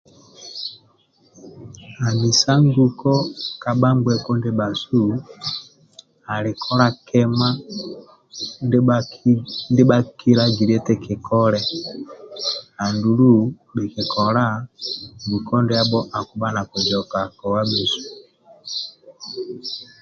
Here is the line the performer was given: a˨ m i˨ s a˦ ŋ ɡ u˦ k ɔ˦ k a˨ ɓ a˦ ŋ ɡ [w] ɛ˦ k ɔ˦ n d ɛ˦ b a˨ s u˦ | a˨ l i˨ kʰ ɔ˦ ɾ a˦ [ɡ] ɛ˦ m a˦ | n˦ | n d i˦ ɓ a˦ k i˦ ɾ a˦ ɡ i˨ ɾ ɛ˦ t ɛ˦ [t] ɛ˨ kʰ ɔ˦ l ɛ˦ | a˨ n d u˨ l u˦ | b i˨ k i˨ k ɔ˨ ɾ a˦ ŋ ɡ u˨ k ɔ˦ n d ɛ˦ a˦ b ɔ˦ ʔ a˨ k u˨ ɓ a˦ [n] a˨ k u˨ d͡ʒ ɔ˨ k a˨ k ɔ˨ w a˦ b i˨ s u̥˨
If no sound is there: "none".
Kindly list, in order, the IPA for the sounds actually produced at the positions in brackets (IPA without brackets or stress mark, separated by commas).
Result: w, k, k, n